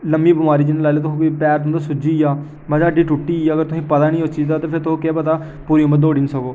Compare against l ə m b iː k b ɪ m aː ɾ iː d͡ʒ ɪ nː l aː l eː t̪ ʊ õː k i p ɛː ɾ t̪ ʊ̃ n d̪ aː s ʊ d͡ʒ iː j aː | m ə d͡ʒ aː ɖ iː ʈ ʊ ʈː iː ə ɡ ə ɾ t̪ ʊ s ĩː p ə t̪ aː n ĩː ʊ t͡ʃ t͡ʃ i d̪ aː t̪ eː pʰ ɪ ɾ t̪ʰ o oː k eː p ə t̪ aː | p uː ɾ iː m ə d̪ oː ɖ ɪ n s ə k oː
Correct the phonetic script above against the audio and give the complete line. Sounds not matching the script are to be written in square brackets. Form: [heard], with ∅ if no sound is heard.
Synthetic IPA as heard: l ə m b iː [∅] b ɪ m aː ɾ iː d͡ʒ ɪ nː l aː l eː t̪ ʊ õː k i p ɛː ɾ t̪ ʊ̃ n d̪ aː s ʊ d͡ʒ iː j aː | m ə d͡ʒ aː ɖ iː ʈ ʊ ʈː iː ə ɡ ə ɾ t̪ ʊ s ĩː p ə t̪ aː n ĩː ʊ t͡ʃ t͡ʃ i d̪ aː t̪ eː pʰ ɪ ɾ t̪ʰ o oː k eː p ə t̪ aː | p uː ɾ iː m ə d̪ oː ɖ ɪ n s ə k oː

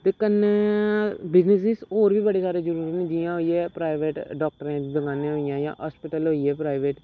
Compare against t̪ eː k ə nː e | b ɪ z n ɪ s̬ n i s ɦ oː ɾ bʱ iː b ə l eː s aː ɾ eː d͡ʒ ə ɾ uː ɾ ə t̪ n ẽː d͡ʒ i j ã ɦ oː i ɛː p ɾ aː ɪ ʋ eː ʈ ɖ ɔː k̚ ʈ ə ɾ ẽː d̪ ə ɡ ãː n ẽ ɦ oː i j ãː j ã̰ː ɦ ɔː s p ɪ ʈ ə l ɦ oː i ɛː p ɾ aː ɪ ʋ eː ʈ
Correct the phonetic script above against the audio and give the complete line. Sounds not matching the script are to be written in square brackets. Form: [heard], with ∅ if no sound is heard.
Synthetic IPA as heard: t̪ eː k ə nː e | b ɪ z n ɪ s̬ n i s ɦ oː ɾ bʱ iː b ə [ɽ] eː s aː ɾ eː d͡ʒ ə ɾ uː ɾ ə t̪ n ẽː d͡ʒ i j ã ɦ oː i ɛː p ɾ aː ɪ ʋ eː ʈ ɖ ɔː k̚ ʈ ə ɾ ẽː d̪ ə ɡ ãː n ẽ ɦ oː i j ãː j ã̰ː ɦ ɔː s p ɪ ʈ ə l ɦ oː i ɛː p ɾ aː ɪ ʋ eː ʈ

